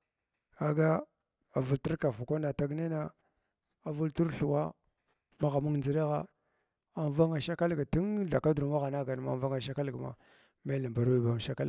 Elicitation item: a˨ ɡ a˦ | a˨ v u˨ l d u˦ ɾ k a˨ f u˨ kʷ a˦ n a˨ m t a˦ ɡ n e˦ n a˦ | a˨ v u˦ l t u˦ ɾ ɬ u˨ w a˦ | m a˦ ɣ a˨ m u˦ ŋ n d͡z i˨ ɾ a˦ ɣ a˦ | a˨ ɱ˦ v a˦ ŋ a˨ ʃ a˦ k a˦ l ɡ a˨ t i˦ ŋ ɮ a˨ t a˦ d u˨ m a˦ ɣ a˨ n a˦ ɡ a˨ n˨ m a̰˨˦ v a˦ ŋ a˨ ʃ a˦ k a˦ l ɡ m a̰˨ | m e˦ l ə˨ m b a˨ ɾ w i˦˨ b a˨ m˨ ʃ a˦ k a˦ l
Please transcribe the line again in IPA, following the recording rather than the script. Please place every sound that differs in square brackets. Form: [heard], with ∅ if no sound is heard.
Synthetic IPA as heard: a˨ ɡ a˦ | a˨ v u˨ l [t] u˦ ɾ k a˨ f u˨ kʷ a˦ n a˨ [∅] t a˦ ɡ n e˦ n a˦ | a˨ v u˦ l t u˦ ɾ ɬ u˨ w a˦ | m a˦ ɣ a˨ m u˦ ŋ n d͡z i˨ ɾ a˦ ɣ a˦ | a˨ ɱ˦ v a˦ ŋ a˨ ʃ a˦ k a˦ l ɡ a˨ t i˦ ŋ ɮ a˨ [k] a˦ d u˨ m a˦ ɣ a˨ n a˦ ɡ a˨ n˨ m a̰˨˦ v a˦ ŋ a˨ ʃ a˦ k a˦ l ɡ m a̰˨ | m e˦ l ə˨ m b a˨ ɾ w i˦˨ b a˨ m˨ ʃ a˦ k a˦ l